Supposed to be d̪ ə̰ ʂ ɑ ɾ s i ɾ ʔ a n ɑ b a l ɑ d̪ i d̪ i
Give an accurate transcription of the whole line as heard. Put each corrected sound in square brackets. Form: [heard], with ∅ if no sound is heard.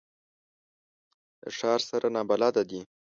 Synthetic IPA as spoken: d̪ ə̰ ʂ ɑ ɾ s [a] ɾ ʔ a n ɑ b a l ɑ d̪ [a] d̪ i